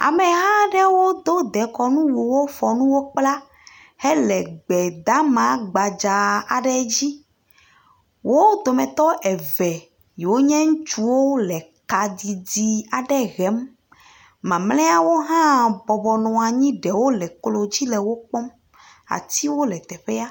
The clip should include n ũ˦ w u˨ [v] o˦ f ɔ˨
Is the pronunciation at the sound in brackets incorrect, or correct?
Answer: incorrect